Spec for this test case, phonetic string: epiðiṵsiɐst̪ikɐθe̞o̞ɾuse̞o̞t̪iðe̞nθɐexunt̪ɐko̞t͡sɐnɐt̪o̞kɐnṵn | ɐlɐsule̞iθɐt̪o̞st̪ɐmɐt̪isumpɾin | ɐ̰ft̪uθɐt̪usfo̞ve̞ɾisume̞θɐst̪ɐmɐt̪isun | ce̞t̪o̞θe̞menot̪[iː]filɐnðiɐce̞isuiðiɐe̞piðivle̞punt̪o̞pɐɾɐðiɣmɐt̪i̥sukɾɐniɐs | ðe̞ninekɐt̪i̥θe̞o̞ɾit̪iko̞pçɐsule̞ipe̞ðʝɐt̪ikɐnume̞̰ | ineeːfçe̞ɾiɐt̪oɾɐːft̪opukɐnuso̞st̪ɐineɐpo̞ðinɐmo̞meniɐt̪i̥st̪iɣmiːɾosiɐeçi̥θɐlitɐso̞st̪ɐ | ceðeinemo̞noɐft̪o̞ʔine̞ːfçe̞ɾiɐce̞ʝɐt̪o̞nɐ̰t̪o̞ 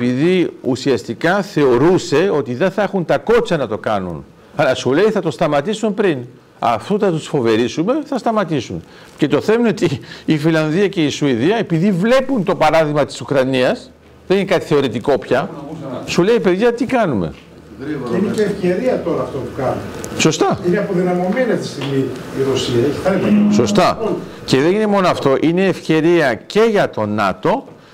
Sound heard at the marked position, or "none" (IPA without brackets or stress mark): iː